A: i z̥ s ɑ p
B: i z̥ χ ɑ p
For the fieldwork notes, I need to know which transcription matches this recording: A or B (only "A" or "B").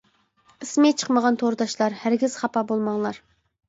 B